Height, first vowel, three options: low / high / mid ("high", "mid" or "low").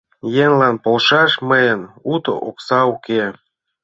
mid